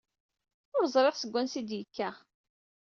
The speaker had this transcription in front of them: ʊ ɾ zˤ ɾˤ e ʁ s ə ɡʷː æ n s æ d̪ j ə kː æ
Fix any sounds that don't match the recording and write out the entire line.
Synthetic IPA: ʊ ɾ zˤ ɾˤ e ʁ s ə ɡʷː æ n s i d̪ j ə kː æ